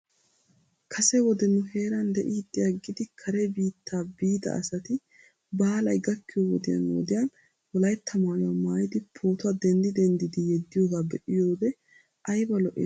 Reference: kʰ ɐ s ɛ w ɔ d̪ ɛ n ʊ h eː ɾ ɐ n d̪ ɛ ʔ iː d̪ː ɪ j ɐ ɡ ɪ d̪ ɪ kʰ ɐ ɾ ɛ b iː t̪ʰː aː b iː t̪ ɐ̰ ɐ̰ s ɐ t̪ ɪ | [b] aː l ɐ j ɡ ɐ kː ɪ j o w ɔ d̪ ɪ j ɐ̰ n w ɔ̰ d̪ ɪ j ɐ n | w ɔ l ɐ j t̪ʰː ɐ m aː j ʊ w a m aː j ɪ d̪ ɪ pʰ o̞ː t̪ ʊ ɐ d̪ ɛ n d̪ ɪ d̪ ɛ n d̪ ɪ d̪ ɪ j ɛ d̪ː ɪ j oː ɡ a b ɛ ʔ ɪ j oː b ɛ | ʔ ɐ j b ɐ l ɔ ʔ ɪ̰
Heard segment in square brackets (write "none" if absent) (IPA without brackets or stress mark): b